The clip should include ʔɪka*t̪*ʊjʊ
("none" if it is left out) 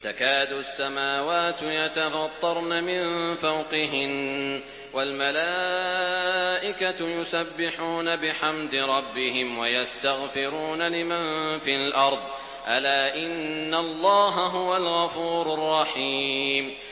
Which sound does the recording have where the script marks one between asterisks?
t̪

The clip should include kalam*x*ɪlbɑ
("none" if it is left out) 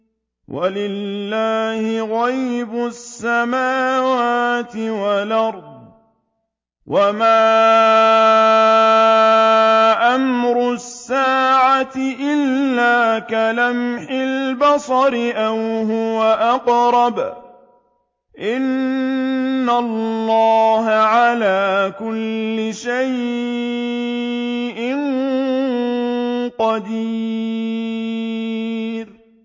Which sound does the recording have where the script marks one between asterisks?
ħ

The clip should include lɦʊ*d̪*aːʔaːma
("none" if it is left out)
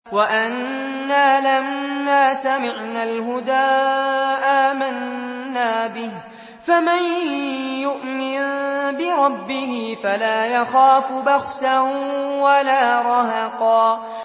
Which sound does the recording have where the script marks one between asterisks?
d̪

